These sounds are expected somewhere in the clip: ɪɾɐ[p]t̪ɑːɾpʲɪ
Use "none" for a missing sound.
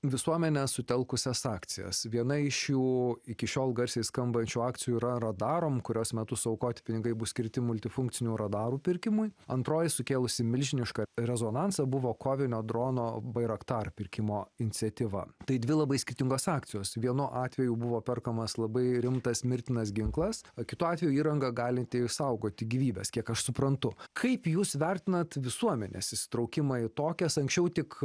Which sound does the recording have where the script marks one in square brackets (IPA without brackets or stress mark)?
k